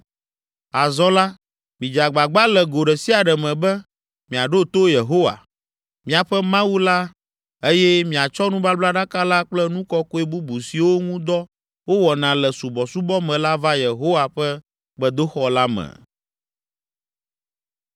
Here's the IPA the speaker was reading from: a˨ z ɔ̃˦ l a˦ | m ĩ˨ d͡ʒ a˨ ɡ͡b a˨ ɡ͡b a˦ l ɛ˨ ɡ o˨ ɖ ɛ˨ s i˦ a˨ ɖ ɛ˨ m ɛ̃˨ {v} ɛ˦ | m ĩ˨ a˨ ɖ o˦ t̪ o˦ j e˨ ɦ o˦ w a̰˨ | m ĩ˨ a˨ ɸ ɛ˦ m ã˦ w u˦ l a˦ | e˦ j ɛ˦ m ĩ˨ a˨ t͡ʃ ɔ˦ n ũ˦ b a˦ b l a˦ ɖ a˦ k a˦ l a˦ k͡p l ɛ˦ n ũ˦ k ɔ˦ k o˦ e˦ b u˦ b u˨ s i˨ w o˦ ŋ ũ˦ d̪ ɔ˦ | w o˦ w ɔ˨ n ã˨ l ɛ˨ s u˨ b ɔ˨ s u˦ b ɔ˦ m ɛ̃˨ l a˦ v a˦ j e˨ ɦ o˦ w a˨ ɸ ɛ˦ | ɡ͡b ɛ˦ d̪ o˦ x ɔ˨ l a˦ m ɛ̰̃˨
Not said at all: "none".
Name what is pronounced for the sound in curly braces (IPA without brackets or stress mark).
b